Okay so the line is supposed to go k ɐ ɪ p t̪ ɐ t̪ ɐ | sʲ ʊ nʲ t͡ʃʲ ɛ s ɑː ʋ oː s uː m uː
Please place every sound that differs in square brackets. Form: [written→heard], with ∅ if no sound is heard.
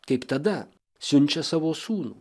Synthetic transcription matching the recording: k ɐ ɪ p t̪ ɐ [t̪→d̪] ɐ | sʲ ʊ nʲ t͡ʃʲ ɛ s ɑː ʋ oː s uː [m→n] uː